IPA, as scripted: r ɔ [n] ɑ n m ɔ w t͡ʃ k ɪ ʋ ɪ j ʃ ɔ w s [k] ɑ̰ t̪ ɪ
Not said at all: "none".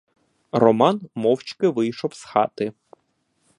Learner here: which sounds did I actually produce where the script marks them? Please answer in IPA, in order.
m, x

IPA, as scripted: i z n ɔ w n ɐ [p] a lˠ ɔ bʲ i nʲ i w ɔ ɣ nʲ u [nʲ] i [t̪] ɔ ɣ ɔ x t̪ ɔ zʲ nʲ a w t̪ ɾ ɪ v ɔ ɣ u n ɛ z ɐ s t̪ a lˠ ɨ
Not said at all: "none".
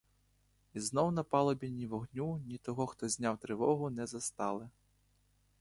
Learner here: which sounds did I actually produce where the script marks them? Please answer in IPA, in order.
p, nʲ, t̪

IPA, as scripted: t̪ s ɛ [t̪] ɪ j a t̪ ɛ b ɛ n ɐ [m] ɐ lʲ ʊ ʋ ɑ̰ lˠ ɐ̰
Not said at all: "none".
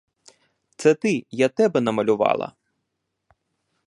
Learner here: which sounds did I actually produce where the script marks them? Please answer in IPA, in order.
t̪, m

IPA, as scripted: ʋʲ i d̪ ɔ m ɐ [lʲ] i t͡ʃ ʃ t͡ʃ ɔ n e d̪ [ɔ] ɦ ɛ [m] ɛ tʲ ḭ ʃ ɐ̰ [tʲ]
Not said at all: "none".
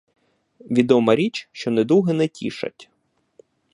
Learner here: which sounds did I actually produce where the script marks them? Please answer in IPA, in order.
ɾʲ, u, n, tʲ

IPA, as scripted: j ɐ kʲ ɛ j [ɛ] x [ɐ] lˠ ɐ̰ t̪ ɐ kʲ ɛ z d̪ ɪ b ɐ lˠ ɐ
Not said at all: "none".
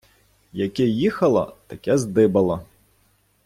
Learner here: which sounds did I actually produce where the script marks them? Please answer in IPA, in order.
i, ɐ

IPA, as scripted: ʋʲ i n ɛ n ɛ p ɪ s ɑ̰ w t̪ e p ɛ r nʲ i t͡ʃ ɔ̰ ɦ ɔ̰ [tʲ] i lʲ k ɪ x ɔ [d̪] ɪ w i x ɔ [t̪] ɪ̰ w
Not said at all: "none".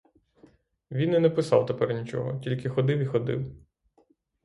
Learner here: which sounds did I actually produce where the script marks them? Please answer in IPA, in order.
tʲ, d̪, d̪

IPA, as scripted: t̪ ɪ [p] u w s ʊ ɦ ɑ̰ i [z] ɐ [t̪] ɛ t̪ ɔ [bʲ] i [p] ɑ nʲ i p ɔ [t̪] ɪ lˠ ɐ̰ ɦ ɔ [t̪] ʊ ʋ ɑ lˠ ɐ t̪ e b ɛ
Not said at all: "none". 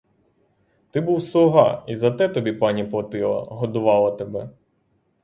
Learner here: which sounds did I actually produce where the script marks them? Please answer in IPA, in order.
b, z, t̪, bʲ, p, t̪, d̪

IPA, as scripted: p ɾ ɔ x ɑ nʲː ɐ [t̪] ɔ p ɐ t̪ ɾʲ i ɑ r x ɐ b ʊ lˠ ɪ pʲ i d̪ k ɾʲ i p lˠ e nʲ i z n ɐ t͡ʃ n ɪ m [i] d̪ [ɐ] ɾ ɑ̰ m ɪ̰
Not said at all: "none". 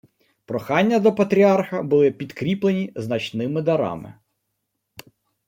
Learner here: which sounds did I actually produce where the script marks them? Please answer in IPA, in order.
d̪, ɪ, ɐ

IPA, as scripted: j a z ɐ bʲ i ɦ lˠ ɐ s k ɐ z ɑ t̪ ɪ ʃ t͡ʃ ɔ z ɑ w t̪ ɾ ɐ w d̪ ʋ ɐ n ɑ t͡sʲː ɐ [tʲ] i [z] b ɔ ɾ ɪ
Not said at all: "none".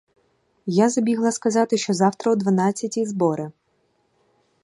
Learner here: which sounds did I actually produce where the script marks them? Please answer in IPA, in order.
tʲ, z

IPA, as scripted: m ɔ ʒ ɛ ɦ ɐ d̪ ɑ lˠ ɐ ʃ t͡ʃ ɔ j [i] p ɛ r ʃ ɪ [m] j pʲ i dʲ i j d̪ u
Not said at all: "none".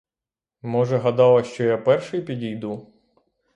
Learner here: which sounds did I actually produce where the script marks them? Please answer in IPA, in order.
a, none

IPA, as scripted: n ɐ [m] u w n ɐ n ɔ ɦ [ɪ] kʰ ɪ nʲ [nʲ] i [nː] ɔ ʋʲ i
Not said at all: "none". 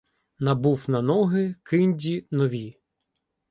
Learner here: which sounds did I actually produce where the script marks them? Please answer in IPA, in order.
b, ɪ, dʲ, n

